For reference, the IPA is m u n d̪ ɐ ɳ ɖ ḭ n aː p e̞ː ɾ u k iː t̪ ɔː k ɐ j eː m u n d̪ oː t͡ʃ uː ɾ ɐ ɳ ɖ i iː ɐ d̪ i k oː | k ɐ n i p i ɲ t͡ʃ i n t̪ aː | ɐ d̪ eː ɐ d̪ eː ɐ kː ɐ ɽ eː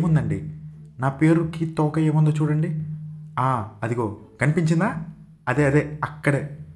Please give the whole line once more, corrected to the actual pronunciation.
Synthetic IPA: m u n d̪ ɐ ɳ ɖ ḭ n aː p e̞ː ɾ u k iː t̪ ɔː k ɐ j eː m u n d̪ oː t͡ʃ uː ɽ ɐ ɳ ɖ i aː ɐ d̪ i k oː | k ɐ n i p i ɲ t͡ʃ i n d̪ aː | ɐ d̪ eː ɐ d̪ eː ɐ kː ɐ ɽ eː